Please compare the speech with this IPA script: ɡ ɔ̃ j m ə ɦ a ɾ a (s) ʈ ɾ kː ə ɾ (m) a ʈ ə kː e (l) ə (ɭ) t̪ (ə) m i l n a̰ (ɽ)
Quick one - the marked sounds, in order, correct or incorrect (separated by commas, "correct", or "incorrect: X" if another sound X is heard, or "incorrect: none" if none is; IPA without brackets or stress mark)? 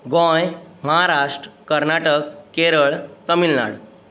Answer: incorrect: ʂ, incorrect: n, incorrect: ɾ, correct, correct, correct